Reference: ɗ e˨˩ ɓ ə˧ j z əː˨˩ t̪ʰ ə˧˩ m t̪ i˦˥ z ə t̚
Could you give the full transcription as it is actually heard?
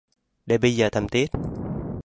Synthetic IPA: ɗ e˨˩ ɓ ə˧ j z əː˨˩ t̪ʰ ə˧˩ m t̪ i˦˥ ə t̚